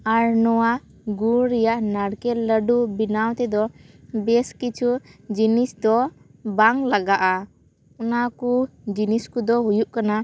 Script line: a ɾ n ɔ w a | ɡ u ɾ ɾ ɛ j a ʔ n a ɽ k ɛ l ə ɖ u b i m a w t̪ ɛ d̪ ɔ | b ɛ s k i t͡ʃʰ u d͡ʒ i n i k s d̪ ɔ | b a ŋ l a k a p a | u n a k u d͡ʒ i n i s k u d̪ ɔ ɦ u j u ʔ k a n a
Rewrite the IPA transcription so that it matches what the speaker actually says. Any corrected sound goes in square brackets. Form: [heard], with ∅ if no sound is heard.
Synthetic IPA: a ɾ n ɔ w a | ɡ u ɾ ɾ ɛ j a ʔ n a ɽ k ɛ l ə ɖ u b i [n] a w t̪ ɛ d̪ ɔ | b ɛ s k i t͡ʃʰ u d͡ʒ i n i [∅] s d̪ ɔ | b a ŋ l a [ɡ] a [ʔ] a | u n a k u d͡ʒ i n i s k u d̪ ɔ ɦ u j u ʔ k a n a